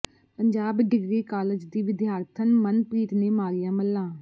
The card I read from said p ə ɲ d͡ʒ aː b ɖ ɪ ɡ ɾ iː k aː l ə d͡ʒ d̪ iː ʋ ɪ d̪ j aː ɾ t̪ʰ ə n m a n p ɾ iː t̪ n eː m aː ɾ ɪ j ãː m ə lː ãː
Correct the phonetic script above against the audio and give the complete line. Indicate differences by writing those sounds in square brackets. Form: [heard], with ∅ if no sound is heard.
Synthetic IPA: p ə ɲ d͡ʒ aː b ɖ ɪ ɡ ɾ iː k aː l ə d͡ʒ d̪ iː ʋ ɪ d̪ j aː ɾ t̪ʰ ə n m [ə] n p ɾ iː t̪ n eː m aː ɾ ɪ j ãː m ə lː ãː